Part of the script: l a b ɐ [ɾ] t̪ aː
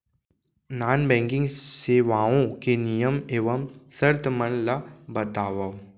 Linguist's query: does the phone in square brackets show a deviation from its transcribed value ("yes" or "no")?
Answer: yes